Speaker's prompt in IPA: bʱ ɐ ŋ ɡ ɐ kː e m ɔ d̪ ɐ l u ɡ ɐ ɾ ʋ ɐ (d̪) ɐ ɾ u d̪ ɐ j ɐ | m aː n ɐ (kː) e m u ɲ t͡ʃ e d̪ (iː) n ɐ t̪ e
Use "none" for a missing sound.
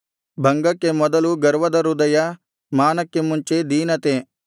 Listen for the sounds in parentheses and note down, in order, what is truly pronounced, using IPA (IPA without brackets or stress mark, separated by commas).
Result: d̪, kː, iː